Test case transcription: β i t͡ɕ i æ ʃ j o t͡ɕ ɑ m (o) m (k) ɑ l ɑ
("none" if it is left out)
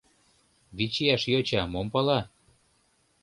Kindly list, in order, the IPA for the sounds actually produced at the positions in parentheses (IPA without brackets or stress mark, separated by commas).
o, p